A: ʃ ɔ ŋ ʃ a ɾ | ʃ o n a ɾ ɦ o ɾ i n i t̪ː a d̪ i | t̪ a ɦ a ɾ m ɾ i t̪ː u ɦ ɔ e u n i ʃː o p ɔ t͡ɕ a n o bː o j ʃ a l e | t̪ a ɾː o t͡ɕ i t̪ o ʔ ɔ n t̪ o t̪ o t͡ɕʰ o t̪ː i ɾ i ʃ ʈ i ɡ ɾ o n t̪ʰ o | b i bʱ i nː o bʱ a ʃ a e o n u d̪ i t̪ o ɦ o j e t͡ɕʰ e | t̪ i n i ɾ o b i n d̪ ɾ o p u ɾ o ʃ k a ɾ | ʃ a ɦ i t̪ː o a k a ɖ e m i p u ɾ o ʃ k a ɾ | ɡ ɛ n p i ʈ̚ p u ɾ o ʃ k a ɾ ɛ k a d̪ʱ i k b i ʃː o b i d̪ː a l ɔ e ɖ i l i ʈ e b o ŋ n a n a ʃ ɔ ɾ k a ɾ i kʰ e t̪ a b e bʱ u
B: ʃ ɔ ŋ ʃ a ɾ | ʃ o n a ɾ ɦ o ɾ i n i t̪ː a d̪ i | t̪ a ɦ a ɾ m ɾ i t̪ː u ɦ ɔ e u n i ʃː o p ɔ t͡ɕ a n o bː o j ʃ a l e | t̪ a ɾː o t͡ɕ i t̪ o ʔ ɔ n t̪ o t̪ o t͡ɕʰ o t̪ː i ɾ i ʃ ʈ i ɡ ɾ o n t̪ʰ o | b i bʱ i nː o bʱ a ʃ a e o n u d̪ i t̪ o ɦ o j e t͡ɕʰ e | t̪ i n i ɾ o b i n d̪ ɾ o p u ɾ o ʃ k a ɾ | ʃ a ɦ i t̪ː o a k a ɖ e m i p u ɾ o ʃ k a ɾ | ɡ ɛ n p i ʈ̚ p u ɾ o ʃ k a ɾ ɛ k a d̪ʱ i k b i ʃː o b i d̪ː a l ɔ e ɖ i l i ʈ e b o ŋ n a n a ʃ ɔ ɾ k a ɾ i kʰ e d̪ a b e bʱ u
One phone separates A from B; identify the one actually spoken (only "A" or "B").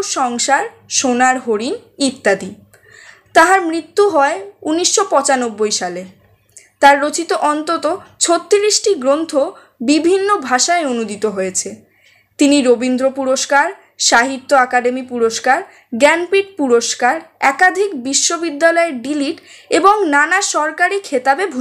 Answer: A